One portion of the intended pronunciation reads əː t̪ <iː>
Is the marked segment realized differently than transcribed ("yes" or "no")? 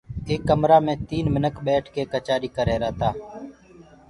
yes